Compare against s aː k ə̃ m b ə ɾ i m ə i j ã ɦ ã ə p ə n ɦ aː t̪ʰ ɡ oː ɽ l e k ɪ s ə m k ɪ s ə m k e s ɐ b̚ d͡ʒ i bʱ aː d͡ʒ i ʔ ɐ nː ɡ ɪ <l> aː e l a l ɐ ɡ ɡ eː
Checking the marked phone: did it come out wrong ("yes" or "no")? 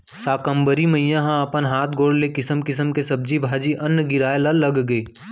yes